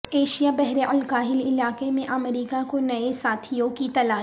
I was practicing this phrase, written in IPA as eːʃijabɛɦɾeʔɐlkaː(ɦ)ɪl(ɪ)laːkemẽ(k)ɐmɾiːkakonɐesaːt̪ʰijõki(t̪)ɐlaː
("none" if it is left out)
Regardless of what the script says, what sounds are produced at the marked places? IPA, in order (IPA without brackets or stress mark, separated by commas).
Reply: ɦ, ɪ, ʔ, t̪